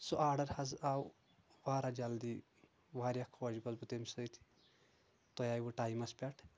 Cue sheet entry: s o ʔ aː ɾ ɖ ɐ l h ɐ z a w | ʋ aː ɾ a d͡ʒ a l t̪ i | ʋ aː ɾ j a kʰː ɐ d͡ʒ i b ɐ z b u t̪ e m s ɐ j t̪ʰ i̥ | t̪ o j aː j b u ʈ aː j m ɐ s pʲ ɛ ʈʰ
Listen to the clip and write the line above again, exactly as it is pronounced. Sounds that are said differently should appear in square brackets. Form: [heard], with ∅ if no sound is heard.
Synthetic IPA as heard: s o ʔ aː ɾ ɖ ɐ [ɾ] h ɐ z a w | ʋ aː ɾ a d͡ʒ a l [d̪] i | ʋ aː ɾ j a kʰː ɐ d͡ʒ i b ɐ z b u t̪ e m s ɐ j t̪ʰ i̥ | t̪ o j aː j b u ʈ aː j m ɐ s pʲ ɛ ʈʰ